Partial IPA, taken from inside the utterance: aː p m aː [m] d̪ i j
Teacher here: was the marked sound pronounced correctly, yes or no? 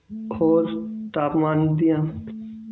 no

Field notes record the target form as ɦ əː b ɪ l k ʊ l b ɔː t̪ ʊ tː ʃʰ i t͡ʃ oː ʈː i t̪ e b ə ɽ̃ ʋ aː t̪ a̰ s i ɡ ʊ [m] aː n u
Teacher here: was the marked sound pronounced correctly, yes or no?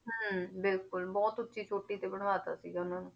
no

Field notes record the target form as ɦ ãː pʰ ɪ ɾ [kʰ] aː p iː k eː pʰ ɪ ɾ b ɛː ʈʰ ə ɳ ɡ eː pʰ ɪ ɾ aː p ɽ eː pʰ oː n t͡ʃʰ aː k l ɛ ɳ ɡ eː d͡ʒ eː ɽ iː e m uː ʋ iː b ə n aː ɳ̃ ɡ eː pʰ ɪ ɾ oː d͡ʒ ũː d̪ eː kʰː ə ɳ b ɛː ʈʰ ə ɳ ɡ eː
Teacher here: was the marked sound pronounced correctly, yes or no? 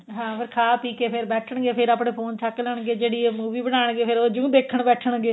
yes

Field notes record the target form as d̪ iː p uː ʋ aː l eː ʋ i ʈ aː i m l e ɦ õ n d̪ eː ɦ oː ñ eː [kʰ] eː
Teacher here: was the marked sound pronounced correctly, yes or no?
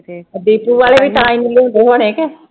no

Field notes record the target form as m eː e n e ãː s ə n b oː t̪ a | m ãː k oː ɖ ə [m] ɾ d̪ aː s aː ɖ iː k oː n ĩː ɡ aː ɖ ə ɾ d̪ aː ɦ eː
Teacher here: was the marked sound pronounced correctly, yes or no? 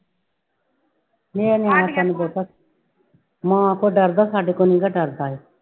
no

